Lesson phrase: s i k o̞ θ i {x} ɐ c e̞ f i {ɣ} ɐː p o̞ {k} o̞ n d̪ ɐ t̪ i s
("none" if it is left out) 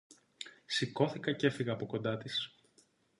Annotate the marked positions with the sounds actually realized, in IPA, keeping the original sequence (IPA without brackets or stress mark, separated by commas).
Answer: k, ɣ, k